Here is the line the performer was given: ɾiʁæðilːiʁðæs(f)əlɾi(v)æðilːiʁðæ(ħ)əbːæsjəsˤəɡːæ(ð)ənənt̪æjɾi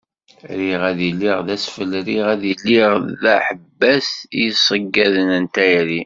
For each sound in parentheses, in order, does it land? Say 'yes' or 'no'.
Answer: yes, no, yes, yes

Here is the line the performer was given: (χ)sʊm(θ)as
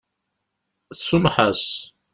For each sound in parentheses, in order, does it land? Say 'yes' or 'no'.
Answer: no, no

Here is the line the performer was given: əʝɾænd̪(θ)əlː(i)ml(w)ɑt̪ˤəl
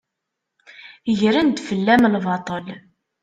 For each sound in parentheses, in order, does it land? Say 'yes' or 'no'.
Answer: no, no, no

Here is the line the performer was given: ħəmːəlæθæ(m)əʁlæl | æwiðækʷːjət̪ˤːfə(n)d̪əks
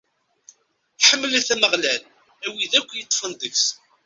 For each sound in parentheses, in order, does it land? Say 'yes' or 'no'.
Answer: yes, yes

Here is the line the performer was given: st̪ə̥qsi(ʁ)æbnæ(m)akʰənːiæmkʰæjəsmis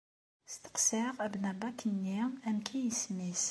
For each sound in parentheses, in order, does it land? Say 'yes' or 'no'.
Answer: yes, no

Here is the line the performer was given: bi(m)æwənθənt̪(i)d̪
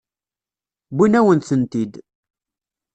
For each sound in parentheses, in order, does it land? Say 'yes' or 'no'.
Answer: no, yes

